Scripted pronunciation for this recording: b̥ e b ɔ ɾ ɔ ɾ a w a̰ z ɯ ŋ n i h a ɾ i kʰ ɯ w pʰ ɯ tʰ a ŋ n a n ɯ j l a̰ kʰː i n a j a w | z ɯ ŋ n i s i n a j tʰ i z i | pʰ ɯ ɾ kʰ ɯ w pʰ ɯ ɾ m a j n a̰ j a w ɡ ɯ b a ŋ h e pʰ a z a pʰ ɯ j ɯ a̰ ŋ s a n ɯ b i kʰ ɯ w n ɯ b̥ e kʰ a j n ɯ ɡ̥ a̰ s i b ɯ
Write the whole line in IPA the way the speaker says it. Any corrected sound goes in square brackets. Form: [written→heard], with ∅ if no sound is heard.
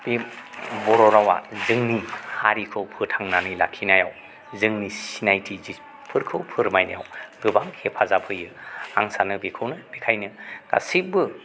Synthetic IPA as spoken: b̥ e b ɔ ɾ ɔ ɾ a w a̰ z ɯ ŋ n i h a ɾ i kʰ ɯ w pʰ ɯ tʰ a ŋ n a n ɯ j l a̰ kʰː i n a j a w | z ɯ ŋ n i s i n a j tʰ i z i | pʰ ɯ ɾ kʰ ɯ w pʰ ɯ ɾ m a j n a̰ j a w ɡ ɯ b a ŋ h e pʰ a z a pʰ ɯ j ɯ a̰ ŋ s a n ɯ b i kʰ ɯ w n ɯ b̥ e kʰ a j n ɯ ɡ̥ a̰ s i b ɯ